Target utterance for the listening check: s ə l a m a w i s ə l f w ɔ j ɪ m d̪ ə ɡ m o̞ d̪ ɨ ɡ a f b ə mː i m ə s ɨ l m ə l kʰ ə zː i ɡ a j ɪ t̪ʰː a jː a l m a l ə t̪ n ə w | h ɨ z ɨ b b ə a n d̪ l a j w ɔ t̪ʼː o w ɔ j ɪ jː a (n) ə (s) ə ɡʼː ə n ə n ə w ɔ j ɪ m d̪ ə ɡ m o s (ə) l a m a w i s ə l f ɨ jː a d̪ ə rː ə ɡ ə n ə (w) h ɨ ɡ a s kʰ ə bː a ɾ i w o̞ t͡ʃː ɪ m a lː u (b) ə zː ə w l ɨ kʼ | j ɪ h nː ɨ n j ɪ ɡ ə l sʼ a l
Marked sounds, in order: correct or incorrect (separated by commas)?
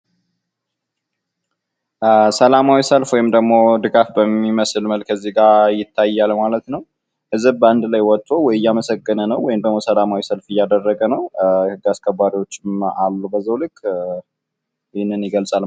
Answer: incorrect, correct, correct, correct, correct